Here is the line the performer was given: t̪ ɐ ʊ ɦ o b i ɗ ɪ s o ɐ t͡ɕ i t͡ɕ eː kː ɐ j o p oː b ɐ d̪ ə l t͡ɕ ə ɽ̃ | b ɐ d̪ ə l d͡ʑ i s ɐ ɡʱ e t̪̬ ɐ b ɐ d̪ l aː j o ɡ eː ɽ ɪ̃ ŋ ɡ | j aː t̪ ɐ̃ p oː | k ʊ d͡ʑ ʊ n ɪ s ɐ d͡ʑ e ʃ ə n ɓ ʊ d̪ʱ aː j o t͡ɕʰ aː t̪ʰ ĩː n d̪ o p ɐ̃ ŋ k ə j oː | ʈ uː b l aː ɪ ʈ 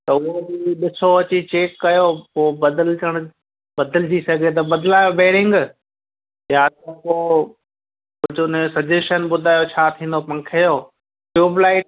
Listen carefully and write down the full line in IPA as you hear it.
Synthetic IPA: t̪ ɐ ʊ ɦ o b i ɗ ɪ s o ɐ t͡ɕ i t͡ɕ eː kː ɐ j o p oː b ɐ d̪ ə l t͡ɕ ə ɽ̃ | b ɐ d̪ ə l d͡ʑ i s ɐ ɡʱ e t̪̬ ɐ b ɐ d̪ l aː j o b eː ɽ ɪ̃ ŋ ɡ | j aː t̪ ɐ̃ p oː | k ʊ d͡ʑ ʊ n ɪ s ɐ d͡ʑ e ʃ ə n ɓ ʊ d̪ʱ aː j o t͡ɕʰ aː t̪ʰ ĩː n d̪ o p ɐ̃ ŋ kʰ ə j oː | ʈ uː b l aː ɪ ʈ